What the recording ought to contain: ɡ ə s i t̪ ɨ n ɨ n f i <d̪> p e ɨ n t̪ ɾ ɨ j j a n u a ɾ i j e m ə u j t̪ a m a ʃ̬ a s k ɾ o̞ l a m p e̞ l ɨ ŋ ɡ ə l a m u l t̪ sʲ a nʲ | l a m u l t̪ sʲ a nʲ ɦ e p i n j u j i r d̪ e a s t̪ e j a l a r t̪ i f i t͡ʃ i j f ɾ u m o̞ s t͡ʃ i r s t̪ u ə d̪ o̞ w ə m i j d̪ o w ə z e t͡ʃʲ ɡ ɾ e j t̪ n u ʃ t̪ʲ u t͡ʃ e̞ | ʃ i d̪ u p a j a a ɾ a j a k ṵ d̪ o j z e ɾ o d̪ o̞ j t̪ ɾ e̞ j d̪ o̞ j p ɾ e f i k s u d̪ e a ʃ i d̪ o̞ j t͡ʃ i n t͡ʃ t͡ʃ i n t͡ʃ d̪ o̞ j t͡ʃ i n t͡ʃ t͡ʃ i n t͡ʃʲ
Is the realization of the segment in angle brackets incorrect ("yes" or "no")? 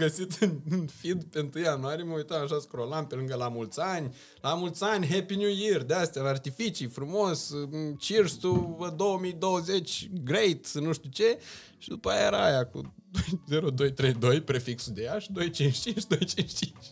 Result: no